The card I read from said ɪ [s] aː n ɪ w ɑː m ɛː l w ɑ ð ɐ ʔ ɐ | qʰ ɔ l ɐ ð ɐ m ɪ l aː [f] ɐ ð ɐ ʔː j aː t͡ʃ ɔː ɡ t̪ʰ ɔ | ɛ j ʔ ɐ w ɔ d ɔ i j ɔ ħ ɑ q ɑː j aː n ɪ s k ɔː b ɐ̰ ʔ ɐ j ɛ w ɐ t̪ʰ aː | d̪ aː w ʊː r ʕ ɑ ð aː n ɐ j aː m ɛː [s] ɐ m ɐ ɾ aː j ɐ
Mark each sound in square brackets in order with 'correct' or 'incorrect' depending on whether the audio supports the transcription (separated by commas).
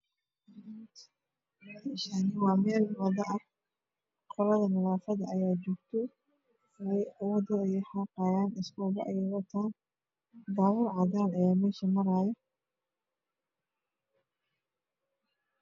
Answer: incorrect, correct, incorrect